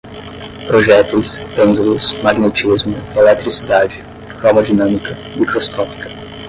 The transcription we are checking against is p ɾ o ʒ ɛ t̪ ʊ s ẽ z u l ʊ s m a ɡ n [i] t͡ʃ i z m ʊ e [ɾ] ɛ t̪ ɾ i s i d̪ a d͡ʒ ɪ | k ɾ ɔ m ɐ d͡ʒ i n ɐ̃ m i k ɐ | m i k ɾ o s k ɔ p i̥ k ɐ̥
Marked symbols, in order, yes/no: no, no

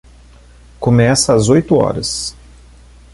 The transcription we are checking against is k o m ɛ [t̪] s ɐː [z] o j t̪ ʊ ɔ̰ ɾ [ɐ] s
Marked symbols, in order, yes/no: no, yes, yes

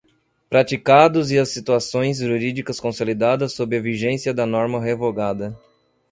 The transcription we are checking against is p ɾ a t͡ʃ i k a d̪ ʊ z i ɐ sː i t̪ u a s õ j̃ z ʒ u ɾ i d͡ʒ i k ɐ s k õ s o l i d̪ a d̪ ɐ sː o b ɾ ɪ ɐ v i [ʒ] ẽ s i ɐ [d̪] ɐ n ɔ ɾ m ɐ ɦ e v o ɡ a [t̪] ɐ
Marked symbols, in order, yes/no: yes, yes, no

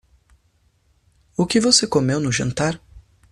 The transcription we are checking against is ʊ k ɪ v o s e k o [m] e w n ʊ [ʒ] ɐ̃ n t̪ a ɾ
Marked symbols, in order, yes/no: yes, yes

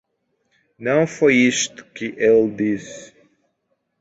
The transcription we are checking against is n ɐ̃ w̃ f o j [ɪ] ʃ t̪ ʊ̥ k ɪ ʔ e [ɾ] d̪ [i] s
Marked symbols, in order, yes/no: no, no, yes

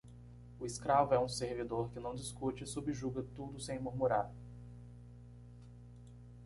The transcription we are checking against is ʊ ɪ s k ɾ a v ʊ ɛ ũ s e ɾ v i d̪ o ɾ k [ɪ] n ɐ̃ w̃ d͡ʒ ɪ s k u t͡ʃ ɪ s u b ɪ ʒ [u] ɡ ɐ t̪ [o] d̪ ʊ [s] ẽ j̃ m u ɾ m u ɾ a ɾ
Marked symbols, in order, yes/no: yes, yes, no, yes

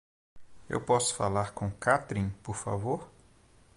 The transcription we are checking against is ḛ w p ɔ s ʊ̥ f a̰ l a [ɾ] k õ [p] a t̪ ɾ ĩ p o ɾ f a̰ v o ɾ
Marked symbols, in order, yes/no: yes, no

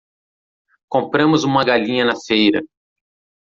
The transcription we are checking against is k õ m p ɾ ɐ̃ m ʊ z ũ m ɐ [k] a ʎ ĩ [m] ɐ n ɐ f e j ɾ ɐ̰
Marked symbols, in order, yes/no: no, no

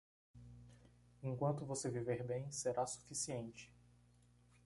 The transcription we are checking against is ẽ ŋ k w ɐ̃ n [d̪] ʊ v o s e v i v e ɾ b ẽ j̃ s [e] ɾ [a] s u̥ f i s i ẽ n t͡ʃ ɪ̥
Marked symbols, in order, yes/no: no, yes, yes

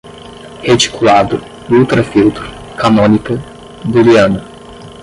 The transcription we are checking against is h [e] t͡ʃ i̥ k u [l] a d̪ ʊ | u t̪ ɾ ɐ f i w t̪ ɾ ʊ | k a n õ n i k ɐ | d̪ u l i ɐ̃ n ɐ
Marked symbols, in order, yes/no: yes, yes

